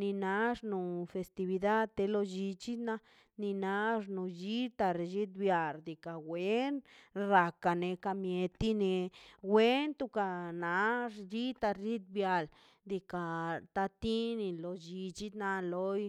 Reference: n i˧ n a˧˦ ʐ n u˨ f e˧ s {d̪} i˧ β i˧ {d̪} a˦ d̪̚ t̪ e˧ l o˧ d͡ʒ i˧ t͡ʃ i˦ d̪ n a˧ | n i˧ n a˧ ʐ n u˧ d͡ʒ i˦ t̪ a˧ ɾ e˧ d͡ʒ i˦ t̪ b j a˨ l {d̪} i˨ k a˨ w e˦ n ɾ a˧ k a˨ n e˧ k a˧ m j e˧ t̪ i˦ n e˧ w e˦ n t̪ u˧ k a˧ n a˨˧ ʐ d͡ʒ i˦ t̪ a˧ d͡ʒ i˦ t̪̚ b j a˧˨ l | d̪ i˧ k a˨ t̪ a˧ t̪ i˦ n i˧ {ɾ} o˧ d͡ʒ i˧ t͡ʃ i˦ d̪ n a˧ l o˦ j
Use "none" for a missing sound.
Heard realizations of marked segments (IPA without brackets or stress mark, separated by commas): t̪, d̪, d̪, l